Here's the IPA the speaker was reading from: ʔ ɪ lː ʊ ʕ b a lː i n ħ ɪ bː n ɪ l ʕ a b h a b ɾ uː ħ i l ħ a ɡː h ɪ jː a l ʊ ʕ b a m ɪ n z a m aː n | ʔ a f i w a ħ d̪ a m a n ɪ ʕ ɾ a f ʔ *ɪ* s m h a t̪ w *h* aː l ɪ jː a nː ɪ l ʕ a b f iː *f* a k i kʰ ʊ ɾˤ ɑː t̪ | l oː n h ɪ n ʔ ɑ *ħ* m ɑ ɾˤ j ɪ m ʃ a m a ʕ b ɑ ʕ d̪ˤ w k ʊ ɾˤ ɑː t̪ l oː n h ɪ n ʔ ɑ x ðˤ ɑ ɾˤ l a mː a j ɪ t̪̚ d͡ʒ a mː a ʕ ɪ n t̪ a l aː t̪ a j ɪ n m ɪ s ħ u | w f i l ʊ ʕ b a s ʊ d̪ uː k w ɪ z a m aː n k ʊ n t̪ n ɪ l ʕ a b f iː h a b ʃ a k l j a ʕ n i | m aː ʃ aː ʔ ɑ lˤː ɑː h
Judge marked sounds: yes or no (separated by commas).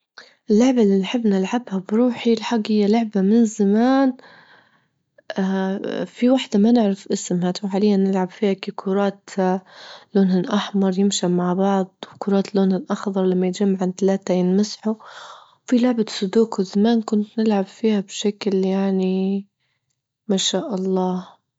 yes, no, no, yes